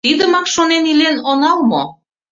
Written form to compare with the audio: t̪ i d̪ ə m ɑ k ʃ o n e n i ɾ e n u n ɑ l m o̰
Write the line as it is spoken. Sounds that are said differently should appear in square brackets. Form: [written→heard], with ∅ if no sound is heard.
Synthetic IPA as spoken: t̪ i d̪ ə m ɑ k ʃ o n e n i [ɾ→l] e n [u→o] n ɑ l m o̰

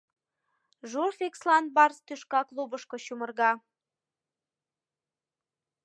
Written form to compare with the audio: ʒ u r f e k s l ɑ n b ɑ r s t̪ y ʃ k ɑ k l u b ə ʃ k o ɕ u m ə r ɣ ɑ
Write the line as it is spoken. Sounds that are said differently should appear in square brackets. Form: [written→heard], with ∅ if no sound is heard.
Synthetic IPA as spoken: ʒ u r f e k s l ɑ n b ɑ r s t̪ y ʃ k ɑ k l u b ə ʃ k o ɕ u m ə r ɣ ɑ

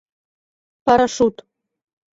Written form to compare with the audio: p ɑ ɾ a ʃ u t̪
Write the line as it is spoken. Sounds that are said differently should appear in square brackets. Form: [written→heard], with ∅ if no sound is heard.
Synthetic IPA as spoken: p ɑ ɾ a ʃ u t̪

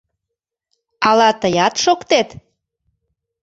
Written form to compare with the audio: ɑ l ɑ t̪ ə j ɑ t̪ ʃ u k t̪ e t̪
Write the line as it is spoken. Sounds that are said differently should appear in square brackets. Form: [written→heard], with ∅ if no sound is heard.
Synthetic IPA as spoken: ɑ l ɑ t̪ ə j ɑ t̪ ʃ [u→o] k t̪ e t̪

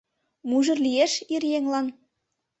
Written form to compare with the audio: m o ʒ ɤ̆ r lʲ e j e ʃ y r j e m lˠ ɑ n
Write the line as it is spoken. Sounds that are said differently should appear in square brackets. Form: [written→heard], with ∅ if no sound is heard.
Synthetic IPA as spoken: m [o→u] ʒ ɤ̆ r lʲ [e→i] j e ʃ [y→i] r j e [m→ŋ] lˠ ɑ n

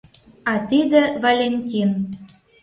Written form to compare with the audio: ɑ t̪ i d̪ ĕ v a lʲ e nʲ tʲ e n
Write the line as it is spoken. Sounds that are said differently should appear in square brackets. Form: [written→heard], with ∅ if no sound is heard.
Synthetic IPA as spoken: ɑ t̪ i d̪ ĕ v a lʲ e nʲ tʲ [e→i] n

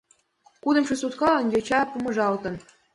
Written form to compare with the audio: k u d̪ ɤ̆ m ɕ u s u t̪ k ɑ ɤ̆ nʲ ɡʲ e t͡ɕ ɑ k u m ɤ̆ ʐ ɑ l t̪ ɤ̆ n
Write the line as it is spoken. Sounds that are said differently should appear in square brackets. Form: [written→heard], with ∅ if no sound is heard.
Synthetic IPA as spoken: k u d̪ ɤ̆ m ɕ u s u t̪ k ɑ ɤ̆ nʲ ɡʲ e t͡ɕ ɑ [k→p] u m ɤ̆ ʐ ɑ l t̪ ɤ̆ n

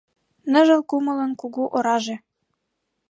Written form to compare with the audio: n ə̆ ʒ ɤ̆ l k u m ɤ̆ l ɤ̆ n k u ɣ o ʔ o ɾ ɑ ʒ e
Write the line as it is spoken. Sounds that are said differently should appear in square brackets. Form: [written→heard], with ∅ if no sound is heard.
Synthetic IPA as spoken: n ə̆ ʒ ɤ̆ l k u m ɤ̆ l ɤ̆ n k u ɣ [o→u] ʔ o ɾ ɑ ʒ e

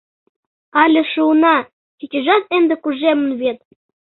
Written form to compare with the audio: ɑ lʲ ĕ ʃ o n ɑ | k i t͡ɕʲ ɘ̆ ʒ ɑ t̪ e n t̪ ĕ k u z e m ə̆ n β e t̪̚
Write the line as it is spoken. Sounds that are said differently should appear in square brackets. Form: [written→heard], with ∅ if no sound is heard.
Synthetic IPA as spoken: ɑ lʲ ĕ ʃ [o→u] n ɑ | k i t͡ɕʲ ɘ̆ ʒ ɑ t̪ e n [t̪→d̪] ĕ k u [z→ʒ] e m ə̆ n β e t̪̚

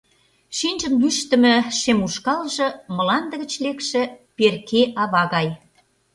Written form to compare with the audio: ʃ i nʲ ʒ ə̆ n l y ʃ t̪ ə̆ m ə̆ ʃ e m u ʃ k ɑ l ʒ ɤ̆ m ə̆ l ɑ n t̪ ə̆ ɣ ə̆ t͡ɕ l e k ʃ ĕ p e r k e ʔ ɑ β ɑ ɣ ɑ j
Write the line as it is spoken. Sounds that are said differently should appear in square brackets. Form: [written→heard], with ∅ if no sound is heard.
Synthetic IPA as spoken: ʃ i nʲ ʒ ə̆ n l y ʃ t̪ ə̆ m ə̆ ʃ e m u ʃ k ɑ l ʒ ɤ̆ m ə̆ l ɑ n [t̪→d̪] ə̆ ɣ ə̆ t͡ɕ l e k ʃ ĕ p e r k e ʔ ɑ β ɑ ɣ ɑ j

